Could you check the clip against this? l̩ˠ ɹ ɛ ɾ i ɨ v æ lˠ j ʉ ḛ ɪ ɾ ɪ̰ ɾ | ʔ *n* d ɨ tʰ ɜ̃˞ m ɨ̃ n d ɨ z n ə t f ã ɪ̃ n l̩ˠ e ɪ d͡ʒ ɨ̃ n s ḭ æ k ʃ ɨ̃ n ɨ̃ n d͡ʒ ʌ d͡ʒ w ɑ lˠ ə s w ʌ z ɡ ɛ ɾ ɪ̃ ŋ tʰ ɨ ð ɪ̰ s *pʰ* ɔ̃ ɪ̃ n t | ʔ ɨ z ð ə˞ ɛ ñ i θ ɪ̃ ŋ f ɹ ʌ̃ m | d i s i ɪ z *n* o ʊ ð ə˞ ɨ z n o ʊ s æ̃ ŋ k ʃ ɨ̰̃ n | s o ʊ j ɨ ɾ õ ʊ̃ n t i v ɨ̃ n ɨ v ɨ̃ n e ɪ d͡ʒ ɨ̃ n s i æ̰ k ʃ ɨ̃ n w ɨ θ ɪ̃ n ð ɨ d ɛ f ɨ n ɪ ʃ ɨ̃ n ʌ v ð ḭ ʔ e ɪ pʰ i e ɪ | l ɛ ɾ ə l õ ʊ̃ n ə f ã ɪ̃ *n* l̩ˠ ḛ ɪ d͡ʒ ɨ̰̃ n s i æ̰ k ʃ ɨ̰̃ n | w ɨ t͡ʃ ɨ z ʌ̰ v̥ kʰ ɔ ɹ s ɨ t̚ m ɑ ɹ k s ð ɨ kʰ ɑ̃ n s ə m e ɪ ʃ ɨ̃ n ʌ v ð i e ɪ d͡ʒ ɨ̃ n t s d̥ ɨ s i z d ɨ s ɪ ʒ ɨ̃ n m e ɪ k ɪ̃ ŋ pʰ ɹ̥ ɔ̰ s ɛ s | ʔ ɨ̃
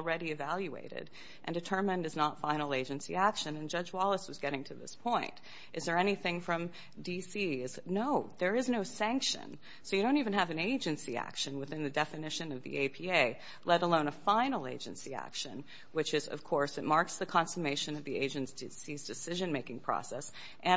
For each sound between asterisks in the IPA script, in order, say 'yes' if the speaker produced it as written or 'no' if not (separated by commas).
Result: yes, yes, yes, yes